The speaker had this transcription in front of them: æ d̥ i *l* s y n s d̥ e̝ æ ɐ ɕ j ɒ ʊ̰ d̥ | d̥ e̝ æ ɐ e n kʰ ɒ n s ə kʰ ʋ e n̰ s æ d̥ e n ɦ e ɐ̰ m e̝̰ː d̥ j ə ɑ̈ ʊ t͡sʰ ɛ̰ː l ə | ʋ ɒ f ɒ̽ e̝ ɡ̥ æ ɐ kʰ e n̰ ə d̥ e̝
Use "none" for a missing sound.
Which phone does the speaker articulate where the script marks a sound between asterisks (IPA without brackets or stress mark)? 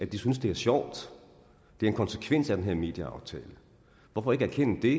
none